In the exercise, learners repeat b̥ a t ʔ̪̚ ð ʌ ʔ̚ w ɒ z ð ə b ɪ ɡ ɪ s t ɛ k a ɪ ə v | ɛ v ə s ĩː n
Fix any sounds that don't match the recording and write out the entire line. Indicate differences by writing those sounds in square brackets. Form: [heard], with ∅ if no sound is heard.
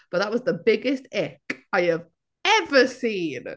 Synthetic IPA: b̥ [ʌ] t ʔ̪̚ ð [ə] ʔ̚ w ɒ z ð ə b ɪ ɡ ɪ s t ɛ k a ɪ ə v | ɛ v ə s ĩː n